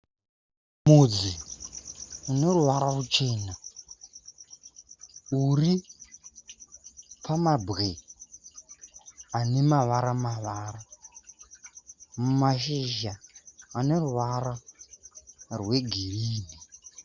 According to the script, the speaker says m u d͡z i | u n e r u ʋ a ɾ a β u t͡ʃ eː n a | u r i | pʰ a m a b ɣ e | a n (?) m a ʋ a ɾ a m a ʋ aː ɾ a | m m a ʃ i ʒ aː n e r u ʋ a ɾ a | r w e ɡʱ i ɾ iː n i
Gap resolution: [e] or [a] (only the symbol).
e